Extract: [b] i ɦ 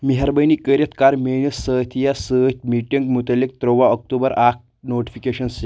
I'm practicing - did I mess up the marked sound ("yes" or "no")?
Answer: yes